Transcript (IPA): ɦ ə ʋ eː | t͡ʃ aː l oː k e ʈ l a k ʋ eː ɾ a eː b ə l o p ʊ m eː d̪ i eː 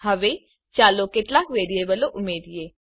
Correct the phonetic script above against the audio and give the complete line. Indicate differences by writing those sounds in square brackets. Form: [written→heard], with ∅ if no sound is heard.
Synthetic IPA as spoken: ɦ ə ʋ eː | t͡ʃ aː l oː k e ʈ l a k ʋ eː ɾ [a→i] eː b ə l o [p→ʔ] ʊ m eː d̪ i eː